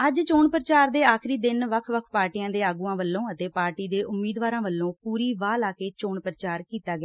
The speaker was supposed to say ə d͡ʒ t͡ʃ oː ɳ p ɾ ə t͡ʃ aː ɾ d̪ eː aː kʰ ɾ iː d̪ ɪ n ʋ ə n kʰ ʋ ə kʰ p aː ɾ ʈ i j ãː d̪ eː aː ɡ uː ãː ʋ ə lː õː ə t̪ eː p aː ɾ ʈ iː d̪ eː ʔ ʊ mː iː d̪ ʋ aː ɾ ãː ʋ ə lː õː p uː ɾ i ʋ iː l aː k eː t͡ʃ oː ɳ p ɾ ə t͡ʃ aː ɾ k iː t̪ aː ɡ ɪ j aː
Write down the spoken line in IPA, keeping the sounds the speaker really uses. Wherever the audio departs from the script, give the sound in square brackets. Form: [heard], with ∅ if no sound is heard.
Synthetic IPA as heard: ə d͡ʒ t͡ʃ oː ɳ p ɾ ə t͡ʃ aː ɾ d̪ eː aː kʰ ɾ iː d̪ ɪ n ʋ ə [∅] kʰ ʋ ə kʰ p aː ɾ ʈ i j ãː d̪ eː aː ɡ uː ãː ʋ ə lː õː ə t̪ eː p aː ɾ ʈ iː d̪ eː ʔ ʊ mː iː d̪ ʋ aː ɾ ãː ʋ ə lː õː p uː ɾ [iː] ʋ [aː] l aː k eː t͡ʃ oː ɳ p ɾ ə t͡ʃ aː ɾ k iː t̪ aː ɡ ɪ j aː